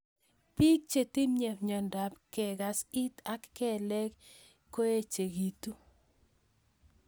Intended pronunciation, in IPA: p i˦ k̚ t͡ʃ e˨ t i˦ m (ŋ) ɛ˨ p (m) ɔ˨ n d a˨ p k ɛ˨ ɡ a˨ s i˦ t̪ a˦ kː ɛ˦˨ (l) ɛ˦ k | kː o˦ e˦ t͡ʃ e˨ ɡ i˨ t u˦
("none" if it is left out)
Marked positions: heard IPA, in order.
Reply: ɲ, ɲ, l

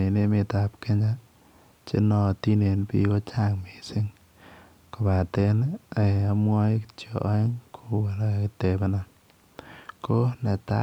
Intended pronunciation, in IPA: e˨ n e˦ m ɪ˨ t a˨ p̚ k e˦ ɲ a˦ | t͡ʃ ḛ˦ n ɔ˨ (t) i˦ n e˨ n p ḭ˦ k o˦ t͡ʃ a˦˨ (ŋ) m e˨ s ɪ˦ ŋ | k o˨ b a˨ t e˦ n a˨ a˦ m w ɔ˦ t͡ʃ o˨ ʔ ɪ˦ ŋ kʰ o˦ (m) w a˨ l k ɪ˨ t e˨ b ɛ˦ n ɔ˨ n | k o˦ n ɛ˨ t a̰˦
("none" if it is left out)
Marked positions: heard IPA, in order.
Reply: t, ŋ, none

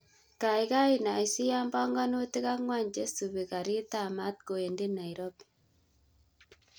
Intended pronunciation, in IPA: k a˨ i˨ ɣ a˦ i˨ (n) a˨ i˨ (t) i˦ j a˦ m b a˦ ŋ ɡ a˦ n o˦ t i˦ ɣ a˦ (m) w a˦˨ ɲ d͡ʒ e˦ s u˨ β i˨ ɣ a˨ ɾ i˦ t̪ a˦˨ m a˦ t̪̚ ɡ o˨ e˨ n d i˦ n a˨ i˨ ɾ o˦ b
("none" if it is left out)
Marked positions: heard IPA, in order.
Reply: n, s, ŋ

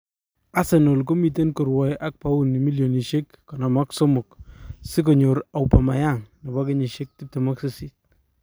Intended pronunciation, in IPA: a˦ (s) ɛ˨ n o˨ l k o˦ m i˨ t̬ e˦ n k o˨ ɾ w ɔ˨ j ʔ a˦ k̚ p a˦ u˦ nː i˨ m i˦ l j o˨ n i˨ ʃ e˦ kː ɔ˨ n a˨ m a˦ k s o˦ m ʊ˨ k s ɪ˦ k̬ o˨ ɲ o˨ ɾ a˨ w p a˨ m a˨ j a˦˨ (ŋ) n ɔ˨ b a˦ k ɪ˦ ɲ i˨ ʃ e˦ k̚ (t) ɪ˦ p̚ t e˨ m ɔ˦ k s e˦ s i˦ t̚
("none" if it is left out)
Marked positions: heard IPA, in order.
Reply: s, ŋ, t

